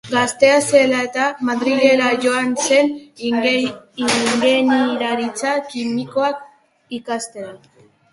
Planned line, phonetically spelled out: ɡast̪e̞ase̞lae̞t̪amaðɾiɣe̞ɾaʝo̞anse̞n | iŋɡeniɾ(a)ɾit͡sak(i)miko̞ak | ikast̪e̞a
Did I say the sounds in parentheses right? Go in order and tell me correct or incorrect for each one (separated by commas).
correct, correct